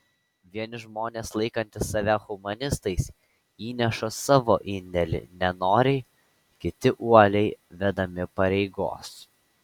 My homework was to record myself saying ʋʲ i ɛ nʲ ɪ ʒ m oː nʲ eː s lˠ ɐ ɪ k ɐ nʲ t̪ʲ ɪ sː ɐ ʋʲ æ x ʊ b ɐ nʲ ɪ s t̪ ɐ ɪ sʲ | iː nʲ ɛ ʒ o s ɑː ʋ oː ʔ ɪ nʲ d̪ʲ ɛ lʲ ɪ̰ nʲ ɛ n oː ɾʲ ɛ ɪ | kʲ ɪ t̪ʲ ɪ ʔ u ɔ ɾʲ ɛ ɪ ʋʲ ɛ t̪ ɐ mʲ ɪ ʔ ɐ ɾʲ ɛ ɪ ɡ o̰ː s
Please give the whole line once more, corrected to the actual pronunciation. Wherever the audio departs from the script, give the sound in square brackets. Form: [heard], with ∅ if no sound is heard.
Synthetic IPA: ʋʲ i ɛ nʲ ɪ ʒ m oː nʲ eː s lˠ ɐ ɪ k ɐ nʲ t̪ʲ ɪ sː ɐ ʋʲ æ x ʊ [m] ɐ nʲ ɪ s t̪ ɐ ɪ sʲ | iː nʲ ɛ [ʃ] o s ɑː ʋ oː ʔ ɪ nʲ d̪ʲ ɛ lʲ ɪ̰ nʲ ɛ n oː ɾʲ ɛ ɪ | kʲ ɪ t̪ʲ ɪ ʔ u ɔ [lʲ] ɛ ɪ ʋʲ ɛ [d̪] ɐ mʲ ɪ [p] ɐ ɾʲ ɛ ɪ ɡ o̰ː s